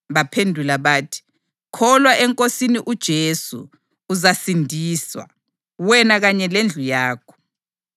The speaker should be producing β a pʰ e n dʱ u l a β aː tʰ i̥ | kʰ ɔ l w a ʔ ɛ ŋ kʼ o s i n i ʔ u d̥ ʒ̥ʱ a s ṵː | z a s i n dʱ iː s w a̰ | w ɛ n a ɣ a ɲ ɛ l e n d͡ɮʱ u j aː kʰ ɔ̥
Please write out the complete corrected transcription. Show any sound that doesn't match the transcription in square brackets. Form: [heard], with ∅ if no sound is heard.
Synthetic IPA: β a pʰ e n dʱ u l a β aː tʰ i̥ | kʰ ɔ l w a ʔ ɛ ŋ kʼ o s i n i ʔ u d̥ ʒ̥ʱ [e] s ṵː | z a s i n dʱ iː s w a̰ | w ɛ n a ɣ a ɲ ɛ l e n d͡ɮʱ u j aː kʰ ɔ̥